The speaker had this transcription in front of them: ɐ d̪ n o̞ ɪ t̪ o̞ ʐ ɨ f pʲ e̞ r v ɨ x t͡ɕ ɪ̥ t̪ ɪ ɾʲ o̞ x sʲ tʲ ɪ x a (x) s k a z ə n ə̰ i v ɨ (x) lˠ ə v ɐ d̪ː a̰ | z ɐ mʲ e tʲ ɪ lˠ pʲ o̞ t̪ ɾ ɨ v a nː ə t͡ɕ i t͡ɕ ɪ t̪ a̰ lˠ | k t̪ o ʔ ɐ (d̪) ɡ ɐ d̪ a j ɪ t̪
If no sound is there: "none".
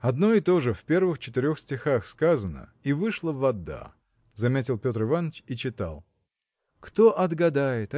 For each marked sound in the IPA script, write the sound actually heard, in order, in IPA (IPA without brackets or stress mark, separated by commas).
x, ʂ, d̪